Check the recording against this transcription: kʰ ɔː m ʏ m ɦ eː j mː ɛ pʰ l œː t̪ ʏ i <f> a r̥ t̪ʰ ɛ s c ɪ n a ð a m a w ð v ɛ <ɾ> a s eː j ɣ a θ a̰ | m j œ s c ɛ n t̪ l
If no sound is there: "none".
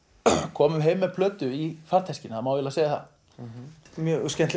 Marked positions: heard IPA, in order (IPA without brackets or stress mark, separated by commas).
f, l